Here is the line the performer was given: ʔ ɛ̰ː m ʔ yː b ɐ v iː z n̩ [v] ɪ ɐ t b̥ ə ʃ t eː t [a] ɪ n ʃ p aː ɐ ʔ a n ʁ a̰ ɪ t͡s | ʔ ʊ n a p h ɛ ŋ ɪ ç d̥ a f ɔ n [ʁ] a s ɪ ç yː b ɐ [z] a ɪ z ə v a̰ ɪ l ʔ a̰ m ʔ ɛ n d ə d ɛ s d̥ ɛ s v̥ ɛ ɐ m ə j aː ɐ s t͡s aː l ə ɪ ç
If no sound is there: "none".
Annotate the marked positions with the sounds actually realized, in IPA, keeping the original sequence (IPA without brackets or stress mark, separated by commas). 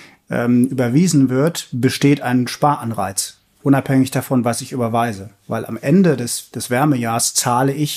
v, a, v, v